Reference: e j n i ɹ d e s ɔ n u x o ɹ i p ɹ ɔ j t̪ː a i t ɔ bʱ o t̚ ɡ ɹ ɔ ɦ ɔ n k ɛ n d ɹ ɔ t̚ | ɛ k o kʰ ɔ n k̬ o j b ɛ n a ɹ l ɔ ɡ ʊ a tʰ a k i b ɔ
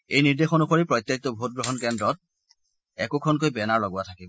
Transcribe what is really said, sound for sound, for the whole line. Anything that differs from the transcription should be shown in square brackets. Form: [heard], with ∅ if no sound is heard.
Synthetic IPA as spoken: e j n i ɹ d e [x] ɔ n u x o ɹ i p ɹ ɔ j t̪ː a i t ɔ bʱ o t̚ ɡ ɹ ɔ ɦ ɔ n k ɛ n d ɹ ɔ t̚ | ɛ k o kʰ ɔ n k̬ o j b ɛ n a ɹ l ɔ ɡ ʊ a tʰ a k i b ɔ